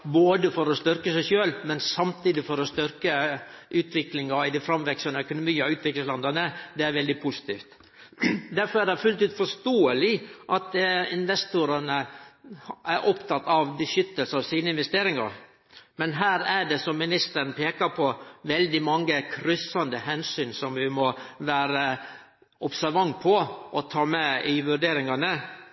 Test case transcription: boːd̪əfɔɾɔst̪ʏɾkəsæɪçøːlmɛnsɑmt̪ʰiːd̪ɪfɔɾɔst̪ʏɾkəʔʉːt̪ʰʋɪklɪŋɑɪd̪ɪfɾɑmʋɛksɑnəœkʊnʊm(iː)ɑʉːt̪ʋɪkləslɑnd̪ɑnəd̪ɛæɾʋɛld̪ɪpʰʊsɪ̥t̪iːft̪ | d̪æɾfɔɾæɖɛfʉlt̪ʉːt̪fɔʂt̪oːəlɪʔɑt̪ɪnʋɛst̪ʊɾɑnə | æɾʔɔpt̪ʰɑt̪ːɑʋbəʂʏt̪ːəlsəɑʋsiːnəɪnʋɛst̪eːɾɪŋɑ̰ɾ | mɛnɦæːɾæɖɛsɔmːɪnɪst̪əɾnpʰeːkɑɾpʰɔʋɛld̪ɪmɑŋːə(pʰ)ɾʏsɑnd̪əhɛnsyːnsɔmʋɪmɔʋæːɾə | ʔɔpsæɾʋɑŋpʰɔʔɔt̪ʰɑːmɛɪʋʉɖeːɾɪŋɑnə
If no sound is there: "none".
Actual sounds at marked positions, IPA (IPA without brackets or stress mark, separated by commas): iː, kʰ